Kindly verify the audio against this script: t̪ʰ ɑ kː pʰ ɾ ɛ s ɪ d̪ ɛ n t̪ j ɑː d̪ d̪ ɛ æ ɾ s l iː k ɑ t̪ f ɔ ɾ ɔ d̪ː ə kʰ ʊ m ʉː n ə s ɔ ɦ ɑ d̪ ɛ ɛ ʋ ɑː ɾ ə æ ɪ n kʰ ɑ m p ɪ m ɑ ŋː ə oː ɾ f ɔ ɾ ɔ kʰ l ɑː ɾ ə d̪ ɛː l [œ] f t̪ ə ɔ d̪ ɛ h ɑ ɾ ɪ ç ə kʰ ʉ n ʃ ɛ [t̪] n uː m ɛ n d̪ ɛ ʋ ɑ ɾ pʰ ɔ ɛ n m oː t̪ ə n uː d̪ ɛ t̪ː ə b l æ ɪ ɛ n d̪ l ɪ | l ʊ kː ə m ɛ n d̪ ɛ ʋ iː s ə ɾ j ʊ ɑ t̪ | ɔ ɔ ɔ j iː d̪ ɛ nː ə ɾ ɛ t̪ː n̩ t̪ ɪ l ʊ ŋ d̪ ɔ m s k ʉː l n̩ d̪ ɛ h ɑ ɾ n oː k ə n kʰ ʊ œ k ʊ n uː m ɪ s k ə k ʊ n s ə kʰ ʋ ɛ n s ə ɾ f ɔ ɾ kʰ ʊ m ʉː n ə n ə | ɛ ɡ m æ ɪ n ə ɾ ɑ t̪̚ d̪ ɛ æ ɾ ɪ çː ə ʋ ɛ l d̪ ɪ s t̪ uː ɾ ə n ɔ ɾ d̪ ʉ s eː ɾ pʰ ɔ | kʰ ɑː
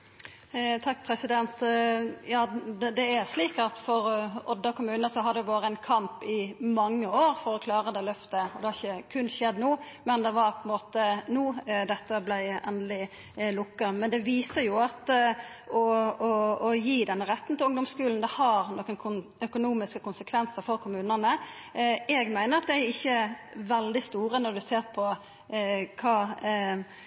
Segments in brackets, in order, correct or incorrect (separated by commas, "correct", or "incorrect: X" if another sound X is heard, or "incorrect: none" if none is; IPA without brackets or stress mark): correct, incorrect: d̪